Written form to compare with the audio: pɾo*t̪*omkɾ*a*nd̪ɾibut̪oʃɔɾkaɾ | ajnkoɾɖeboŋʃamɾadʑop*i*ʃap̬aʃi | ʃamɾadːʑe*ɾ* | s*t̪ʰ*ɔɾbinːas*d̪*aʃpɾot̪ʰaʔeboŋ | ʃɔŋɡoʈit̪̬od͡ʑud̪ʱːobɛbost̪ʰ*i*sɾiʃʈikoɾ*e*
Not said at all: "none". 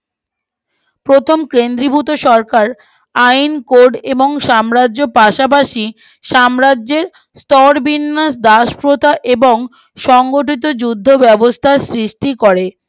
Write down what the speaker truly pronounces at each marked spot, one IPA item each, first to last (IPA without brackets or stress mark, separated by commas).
t̪ʰ, e, a, ɾ, t̪, d̪, a, e